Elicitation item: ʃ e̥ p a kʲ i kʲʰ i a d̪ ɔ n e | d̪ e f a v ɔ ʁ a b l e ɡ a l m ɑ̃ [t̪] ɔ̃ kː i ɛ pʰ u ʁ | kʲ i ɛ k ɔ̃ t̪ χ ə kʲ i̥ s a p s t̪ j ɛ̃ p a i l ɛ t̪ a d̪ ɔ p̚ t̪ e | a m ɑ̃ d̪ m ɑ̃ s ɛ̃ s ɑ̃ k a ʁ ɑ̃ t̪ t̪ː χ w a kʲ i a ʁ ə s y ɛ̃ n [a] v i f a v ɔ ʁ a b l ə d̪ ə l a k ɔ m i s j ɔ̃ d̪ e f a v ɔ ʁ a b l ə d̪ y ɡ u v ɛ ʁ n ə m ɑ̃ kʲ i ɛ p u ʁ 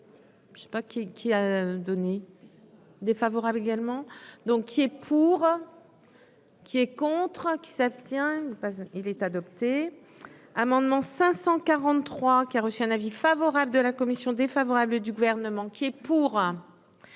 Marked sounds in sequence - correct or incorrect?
incorrect, correct

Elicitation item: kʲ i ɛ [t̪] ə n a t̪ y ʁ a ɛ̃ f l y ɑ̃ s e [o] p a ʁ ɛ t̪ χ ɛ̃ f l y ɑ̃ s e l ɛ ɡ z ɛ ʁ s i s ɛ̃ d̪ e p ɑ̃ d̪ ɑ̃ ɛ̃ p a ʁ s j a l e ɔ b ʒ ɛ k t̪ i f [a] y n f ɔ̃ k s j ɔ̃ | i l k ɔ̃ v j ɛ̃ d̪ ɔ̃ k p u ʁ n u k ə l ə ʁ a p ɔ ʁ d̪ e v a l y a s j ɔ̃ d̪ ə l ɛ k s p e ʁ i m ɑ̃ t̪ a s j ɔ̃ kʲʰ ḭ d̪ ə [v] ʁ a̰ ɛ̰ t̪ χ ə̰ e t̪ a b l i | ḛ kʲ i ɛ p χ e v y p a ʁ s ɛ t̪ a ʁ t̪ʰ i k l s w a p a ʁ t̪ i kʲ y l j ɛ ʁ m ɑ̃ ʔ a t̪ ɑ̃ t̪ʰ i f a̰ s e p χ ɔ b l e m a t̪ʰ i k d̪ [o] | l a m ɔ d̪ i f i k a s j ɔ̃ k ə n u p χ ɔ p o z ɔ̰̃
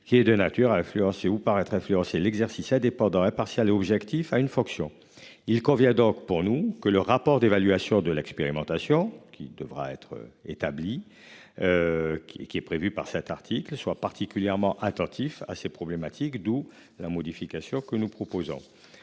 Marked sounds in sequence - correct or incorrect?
incorrect, incorrect, correct, correct, incorrect

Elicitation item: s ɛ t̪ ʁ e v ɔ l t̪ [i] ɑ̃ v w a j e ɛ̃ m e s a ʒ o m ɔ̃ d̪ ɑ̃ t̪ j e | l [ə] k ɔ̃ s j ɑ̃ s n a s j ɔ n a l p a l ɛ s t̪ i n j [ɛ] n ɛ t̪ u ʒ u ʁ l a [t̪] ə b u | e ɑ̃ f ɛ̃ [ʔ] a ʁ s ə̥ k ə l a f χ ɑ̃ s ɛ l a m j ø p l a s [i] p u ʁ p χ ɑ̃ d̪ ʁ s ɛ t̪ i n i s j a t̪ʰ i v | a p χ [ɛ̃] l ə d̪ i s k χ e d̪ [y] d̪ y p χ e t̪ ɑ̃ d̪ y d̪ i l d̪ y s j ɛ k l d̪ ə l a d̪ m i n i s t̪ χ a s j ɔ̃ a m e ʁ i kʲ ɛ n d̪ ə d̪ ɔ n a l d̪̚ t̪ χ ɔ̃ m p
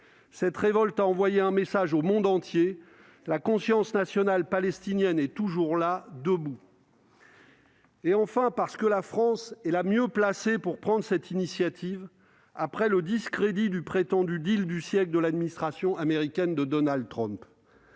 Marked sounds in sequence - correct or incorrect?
incorrect, incorrect, correct, incorrect, incorrect, incorrect, incorrect, incorrect

